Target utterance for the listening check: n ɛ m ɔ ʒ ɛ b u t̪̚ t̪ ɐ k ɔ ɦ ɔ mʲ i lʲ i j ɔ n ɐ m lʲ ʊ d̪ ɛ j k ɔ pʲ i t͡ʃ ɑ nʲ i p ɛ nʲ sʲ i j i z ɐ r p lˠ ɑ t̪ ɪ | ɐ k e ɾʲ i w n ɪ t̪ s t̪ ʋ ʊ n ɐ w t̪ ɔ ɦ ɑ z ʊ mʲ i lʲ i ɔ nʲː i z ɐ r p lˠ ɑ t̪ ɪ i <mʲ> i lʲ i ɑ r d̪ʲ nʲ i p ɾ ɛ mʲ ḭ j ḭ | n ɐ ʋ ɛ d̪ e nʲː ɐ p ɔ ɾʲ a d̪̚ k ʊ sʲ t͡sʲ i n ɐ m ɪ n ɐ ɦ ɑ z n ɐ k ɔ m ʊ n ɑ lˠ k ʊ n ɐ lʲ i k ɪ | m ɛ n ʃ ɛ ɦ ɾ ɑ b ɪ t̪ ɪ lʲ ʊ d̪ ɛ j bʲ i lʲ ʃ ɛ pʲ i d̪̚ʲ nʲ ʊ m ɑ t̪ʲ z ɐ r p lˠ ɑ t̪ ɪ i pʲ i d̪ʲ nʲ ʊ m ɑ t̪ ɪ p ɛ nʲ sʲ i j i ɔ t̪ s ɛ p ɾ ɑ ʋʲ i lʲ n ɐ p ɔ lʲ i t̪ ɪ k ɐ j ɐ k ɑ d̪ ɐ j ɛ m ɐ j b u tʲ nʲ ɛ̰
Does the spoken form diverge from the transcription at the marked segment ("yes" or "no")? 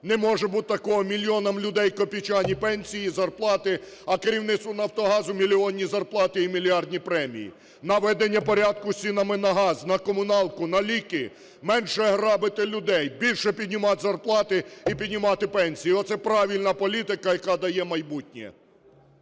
no